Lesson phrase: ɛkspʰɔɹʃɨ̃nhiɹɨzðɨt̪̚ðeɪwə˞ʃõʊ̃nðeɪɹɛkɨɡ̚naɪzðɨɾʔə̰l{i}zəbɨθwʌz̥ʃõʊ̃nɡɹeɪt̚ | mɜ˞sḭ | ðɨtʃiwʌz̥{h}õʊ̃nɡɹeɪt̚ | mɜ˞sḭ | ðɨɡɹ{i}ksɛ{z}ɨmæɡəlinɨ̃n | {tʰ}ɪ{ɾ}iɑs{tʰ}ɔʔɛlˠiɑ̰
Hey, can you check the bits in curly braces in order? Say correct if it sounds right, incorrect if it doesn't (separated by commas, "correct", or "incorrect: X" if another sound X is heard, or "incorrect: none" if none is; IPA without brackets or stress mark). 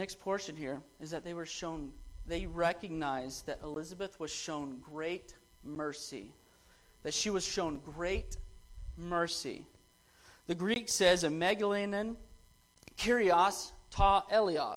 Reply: incorrect: ɪ, incorrect: ʃ, correct, correct, incorrect: kʰ, incorrect: ɹ, correct